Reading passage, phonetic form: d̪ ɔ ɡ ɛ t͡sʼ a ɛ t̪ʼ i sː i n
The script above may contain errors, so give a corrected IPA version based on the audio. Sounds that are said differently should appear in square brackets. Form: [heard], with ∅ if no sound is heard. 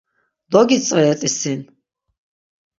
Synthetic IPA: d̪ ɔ ɡ [i] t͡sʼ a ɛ t̪ʼ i [s] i n